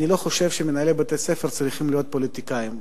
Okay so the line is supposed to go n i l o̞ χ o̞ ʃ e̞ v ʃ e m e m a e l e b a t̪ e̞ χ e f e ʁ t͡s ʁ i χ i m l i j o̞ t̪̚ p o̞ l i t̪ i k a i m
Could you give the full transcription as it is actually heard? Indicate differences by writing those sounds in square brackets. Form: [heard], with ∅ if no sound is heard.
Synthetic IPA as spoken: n i l o̞ χ o̞ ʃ e̞ v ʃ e m e [n] a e l e b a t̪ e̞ [s] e f e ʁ t͡s ʁ i χ i m l i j o̞ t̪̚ p o̞ l i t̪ i k a i m